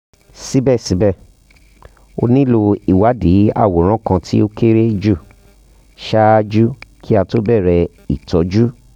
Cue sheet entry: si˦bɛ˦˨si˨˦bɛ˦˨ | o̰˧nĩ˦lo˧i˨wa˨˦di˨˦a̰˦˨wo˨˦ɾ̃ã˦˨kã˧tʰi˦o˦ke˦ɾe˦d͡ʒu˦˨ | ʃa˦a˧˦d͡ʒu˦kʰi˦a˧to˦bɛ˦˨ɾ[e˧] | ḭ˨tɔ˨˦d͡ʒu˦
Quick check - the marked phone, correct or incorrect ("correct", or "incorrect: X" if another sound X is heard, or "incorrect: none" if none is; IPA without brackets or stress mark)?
incorrect: ɛ˧